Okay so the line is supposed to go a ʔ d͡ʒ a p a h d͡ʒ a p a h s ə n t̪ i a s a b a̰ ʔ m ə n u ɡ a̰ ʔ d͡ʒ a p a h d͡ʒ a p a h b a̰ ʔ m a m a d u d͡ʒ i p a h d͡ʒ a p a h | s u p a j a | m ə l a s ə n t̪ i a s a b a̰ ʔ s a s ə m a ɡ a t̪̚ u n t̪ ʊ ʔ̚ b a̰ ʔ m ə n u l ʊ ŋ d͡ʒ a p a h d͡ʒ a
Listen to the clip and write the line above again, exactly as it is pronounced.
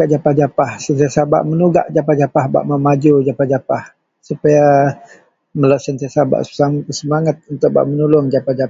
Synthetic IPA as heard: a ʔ d͡ʒ a p a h d͡ʒ a p a h s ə n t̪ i a s a b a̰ ʔ m ə n u ɡ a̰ ʔ d͡ʒ a p a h d͡ʒ a p a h b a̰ ʔ m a m a d͡ʒ u d͡ʒ a p a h d͡ʒ a p a h | s u p a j a | m ə l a s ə n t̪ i a s a b a̰ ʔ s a s ə m a ŋ a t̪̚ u n t̪ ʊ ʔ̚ b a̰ ʔ m ə n u l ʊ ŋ d͡ʒ a p a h d͡ʒ a